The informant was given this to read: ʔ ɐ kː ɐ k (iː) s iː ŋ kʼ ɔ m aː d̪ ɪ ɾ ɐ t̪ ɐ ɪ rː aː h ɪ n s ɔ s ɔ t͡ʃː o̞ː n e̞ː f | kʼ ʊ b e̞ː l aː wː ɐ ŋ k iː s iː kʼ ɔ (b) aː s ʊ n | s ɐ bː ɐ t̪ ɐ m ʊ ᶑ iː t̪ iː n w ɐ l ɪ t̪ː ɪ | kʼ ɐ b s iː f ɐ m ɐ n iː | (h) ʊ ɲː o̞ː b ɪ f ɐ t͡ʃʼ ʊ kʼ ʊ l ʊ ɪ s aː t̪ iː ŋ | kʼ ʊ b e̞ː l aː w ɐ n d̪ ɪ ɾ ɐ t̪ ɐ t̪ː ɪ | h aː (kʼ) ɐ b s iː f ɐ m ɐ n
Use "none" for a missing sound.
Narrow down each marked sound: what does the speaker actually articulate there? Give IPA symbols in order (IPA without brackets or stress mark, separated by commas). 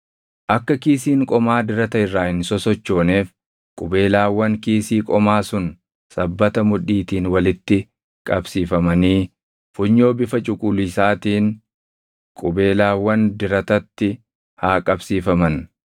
iː, m, f, kʼ